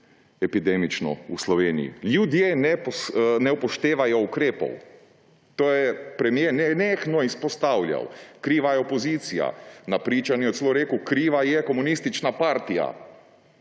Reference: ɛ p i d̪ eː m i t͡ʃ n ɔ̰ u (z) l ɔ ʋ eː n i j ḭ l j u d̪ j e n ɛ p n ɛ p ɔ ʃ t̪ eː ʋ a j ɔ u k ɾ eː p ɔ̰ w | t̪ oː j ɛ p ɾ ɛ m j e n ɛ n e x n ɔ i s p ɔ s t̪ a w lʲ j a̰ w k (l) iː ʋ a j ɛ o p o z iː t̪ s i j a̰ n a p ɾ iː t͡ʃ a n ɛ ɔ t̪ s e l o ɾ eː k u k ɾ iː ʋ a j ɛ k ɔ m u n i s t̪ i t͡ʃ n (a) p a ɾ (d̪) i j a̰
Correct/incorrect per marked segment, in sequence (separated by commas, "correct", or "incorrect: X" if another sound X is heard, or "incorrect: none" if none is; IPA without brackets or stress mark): incorrect: s, incorrect: ɾ, correct, incorrect: t̪